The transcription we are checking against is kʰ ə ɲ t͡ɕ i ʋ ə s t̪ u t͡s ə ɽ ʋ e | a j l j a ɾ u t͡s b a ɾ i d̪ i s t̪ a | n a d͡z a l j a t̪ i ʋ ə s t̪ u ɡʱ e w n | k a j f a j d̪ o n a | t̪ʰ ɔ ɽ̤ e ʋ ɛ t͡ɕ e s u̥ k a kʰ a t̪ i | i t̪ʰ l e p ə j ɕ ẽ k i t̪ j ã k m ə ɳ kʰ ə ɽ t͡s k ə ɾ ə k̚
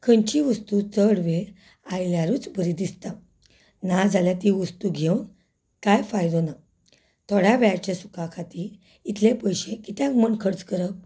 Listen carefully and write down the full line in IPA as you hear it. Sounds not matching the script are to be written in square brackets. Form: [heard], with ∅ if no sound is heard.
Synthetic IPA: kʰ ə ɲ t͡ɕ i ʋ ə s t̪ u t͡s ə ɽ ʋ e | a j l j a ɾ u t͡s b [ə] ɾ i d̪ i s t̪ a | n a d͡z a l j a t̪ i ʋ ə s t̪ u ɡʱ e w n | k a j f a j d̪ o n a | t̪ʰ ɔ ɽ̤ [a] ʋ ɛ t͡ɕ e s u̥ k a kʰ a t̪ i | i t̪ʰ l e p ə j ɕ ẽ k i t̪ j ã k m ə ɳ kʰ ə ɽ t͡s k ə ɾ ə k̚

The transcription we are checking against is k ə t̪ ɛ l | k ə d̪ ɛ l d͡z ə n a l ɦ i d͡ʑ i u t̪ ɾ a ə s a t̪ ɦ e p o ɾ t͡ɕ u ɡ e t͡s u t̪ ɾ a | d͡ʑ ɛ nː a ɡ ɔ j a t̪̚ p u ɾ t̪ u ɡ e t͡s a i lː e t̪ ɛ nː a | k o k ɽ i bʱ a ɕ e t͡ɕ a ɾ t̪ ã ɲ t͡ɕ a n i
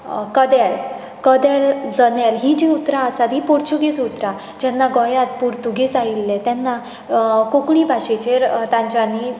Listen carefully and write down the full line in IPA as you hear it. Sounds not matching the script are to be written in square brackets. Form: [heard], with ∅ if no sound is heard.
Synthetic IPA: k ə [d̪] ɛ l | k ə d̪ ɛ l d͡z ə n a l ɦ i d͡ʑ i u t̪ ɾ a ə s a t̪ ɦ [i] p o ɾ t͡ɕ u ɡ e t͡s u t̪ ɾ a | d͡ʑ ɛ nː a ɡ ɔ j a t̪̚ p u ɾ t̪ u ɡ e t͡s a i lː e t̪ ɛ nː a | k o k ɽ i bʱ a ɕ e t͡ɕ [e] ɾ t̪ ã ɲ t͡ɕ a n i

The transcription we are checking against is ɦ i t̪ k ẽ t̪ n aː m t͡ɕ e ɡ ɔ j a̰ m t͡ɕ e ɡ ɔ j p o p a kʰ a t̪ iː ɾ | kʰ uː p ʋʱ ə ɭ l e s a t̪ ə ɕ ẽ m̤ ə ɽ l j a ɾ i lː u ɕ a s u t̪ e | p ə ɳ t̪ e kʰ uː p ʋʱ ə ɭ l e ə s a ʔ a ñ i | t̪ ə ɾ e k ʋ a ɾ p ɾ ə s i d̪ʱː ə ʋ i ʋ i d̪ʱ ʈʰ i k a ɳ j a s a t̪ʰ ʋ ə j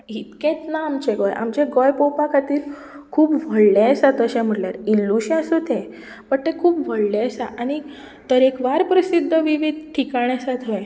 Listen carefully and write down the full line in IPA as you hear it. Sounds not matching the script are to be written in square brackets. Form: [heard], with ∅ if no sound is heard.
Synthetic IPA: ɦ i t̪ k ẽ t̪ n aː m t͡ɕ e ɡ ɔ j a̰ m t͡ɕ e ɡ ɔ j p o p a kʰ a t̪ iː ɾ | kʰ uː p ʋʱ ə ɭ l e s a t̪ ə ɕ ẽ m̤ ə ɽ l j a ɾ i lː u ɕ a s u t̪ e | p ə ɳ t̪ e kʰ uː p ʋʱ ə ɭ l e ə s a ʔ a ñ i | t̪ ə ɾ e k ʋ a ɾ p ɾ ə s i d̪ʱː ə ʋ i ʋ i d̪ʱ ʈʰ i k a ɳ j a s a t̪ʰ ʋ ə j

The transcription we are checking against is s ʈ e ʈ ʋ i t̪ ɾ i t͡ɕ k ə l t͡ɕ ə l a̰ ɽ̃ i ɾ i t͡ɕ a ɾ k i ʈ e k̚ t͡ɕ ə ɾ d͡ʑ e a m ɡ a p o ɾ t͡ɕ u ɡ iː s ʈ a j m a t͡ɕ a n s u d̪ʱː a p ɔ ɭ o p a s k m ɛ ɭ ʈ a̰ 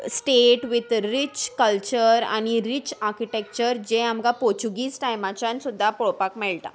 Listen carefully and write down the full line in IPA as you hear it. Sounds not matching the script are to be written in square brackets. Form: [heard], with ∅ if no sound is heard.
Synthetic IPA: s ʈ e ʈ ʋ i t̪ ɾ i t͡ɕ k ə l t͡ɕ ə [ɾ] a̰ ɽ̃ i ɾ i t͡ɕ a ɾ k i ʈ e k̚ t͡ɕ ə ɾ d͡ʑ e a m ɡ a p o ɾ t͡ɕ u ɡ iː s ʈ a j m a t͡ɕ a n s u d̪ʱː a p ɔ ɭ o p a [∅] k m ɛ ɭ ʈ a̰

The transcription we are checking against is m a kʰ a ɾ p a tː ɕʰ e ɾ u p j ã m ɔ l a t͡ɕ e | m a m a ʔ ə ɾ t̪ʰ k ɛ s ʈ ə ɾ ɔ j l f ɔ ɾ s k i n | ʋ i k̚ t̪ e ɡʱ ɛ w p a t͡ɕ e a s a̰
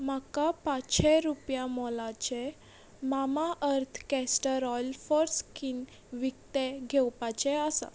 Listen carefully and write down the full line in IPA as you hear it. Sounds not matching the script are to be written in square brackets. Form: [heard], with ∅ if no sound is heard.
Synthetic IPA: m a [k] a [∅] p a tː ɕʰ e ɾ u p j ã m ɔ l a t͡ɕ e | m a m a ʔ ə ɾ t̪ʰ k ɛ s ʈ ə ɾ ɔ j l f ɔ ɾ s k i n | ʋ i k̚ t̪ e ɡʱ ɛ w p a t͡ɕ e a s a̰

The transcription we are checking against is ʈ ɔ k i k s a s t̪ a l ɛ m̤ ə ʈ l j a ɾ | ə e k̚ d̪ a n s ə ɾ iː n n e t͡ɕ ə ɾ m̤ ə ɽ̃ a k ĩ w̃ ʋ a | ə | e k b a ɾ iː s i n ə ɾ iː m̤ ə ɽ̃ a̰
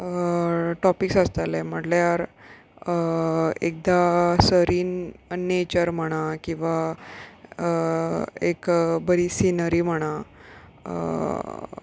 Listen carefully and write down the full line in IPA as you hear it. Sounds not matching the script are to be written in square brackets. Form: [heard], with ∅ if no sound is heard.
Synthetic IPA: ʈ ɔ [p] i k s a s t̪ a l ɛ m̤ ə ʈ l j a ɾ | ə e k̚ d̪ a [∅] s ə ɾ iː n n e t͡ɕ ə ɾ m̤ ə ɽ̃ a k ĩ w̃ ʋ a | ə | e k b [ə] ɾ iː s i n ə ɾ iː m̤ ə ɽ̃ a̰

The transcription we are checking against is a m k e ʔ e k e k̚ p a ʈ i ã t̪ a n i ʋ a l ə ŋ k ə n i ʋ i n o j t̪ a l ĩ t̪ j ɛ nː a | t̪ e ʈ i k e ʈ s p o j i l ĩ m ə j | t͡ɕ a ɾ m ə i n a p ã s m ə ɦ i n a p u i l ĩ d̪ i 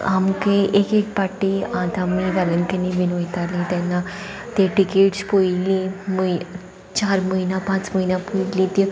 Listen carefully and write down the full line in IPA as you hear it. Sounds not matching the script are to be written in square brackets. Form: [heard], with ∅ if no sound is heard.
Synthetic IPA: a m k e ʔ e k e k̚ p a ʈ i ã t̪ a [m] i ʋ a l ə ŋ k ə n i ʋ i n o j t̪ a l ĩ t̪ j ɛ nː a | t̪ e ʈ i k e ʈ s p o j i l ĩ m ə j | t͡ɕ a ɾ m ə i n a p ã [t͡s] m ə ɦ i n a p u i l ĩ [t̪] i

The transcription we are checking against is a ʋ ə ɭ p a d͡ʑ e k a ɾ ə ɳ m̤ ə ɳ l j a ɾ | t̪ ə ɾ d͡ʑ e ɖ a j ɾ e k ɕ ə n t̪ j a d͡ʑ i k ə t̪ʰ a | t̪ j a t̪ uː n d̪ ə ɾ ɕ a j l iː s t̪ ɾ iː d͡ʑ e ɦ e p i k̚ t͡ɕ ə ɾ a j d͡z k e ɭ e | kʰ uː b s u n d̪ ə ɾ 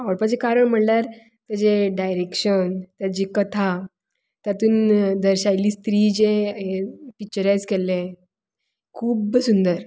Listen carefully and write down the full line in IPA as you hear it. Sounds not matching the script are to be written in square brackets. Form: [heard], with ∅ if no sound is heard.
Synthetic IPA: a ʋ ə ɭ p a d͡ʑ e k a ɾ ə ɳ m̤ ə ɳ l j a ɾ | t̪ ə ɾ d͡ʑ e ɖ a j ɾ e k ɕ ə n t̪ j a d͡ʑ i k ə t̪ʰ a | t̪ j a t̪ uː n d̪ ə ɾ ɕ a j l iː s t̪ ɾ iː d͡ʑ e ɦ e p i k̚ t͡ɕ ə ɾ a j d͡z k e [l] e | kʰ uː b s u n d̪ ə ɾ

